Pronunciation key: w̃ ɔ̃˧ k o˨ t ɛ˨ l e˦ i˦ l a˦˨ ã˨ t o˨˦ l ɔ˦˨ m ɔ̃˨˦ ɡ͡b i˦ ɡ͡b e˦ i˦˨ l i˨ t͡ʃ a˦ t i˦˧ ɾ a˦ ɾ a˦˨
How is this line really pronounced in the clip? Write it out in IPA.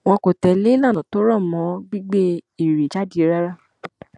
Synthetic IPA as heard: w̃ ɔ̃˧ k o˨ t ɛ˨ l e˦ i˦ l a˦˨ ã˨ t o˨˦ ɾ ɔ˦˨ m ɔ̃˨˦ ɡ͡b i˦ ɡ͡b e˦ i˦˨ ɾ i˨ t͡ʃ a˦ d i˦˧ ɾ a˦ ɾ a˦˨